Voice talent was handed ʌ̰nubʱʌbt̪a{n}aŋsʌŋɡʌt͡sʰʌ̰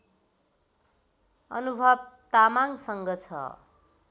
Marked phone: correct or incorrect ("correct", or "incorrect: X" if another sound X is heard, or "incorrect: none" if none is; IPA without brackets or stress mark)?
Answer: incorrect: m